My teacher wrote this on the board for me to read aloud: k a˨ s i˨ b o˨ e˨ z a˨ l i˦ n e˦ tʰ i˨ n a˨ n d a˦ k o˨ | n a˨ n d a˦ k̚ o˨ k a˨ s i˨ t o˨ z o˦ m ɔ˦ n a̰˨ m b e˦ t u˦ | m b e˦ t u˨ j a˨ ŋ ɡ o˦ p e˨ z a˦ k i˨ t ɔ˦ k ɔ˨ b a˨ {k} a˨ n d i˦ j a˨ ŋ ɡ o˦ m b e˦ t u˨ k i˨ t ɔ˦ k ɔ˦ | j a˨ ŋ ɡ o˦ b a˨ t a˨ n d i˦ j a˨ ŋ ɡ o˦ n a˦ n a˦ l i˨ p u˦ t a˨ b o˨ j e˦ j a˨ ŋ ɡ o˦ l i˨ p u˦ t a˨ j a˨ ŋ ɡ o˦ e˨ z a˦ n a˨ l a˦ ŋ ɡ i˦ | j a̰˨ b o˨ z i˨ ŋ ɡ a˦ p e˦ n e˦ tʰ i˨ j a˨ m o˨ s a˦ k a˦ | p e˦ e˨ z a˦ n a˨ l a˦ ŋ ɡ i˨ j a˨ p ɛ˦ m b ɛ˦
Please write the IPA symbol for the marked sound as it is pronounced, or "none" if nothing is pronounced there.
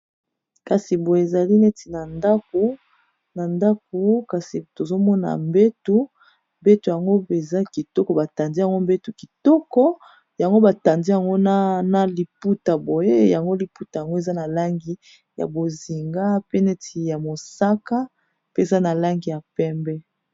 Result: t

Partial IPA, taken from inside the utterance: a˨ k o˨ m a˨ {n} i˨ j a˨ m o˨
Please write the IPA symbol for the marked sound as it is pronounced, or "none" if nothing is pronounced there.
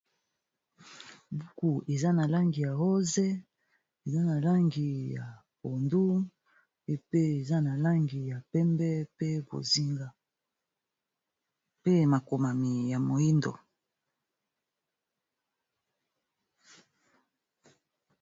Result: m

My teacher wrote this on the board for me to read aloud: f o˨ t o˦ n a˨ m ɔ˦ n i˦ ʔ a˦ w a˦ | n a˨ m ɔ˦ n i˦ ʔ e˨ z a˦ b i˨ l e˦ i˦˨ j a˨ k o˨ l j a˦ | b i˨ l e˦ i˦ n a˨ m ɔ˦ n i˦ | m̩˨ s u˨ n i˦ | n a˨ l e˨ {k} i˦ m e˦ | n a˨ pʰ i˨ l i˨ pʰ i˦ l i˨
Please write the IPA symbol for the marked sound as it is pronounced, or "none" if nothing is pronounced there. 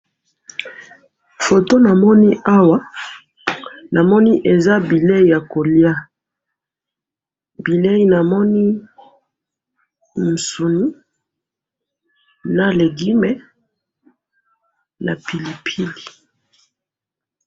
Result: ɡ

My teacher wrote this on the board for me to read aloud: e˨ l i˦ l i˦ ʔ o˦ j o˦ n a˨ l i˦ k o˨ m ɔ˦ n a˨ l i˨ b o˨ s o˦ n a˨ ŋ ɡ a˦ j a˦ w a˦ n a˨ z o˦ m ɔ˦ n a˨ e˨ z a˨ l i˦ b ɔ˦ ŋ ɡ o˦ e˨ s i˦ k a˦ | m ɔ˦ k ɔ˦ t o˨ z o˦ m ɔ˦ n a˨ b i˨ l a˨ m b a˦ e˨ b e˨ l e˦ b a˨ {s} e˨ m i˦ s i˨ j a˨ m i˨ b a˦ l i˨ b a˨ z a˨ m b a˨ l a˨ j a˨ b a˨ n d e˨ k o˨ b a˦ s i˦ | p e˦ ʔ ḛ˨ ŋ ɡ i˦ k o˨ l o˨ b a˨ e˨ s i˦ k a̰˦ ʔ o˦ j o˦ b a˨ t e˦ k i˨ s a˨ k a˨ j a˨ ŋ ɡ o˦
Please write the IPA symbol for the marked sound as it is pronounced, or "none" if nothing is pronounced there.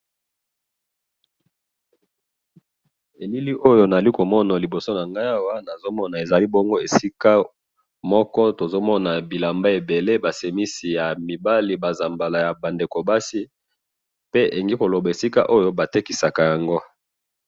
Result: s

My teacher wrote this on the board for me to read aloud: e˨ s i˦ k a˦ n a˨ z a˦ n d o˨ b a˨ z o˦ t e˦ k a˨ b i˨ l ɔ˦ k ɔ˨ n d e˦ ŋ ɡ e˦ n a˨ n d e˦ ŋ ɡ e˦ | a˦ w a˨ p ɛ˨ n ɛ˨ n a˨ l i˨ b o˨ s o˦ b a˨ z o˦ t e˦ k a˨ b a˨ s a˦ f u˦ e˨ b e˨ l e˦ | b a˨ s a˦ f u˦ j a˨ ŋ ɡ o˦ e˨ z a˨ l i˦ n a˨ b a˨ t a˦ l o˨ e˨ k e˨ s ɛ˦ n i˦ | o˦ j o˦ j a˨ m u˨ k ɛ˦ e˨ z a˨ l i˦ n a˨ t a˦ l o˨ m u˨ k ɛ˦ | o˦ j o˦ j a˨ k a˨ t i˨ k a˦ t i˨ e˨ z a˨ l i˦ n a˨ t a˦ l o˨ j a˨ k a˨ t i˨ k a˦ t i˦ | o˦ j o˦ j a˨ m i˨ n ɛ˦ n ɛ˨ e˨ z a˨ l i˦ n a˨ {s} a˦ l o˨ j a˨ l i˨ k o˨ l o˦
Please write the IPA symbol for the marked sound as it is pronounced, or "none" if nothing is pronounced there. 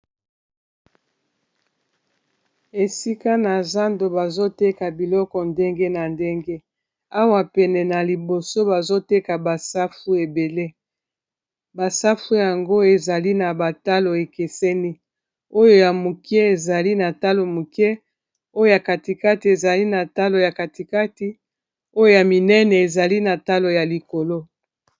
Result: t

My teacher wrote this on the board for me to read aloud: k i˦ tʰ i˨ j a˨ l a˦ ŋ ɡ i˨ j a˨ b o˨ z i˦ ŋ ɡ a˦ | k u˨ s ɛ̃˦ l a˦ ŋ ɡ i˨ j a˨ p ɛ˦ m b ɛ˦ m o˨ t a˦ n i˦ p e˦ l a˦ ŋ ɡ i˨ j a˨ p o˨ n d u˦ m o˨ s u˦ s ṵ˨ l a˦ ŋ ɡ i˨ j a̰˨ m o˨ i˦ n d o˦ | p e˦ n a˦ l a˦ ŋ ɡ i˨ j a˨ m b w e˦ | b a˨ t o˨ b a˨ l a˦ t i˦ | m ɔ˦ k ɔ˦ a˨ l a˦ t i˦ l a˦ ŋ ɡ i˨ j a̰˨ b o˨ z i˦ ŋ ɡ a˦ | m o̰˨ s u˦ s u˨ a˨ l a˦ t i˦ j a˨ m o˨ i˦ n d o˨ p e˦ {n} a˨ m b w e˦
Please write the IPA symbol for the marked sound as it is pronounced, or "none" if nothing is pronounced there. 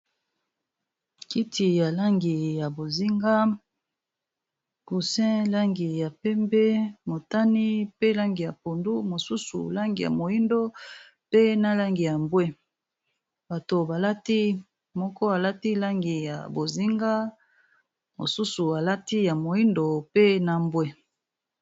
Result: n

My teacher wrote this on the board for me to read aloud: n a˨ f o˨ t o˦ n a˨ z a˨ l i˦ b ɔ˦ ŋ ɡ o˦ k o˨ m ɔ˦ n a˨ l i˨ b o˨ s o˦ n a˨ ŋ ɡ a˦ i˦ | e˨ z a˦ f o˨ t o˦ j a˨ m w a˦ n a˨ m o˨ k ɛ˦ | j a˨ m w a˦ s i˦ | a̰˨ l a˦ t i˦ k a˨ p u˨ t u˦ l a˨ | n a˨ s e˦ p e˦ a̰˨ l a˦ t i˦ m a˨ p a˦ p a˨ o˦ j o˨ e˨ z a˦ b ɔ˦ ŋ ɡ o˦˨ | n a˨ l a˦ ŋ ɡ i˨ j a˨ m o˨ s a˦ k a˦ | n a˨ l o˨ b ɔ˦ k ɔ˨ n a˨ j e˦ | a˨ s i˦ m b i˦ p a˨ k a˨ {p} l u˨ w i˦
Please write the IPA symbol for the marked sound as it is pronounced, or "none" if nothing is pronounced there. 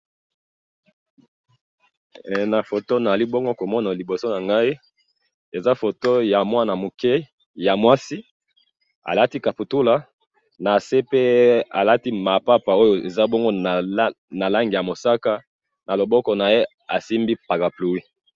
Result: p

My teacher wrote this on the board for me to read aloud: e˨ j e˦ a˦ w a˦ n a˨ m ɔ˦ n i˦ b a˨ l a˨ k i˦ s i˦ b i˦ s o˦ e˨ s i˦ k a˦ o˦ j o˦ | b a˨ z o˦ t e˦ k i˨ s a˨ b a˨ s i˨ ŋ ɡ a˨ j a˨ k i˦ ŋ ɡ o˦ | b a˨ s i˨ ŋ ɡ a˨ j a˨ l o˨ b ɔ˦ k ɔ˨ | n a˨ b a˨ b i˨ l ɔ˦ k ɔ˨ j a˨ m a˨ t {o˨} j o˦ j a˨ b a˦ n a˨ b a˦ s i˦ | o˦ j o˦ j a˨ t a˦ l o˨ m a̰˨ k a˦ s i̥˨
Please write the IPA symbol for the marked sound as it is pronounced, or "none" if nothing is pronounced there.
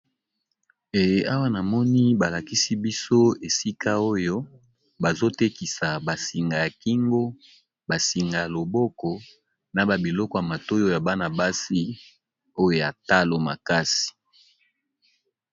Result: o˦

